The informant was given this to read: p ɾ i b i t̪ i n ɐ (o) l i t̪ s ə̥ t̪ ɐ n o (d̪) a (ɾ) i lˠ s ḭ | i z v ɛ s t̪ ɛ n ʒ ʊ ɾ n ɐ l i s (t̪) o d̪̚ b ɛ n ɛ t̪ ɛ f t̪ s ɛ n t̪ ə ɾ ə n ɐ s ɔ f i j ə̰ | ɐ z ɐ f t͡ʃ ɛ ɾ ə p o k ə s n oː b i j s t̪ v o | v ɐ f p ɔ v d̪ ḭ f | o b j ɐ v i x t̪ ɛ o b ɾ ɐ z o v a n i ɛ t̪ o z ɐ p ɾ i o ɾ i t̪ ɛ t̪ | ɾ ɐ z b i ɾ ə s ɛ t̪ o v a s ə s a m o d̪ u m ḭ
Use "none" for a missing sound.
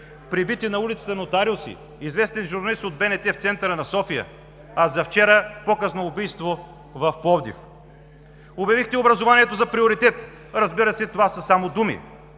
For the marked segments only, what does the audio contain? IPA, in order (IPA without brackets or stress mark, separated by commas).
u, t̪, ɾ, t̪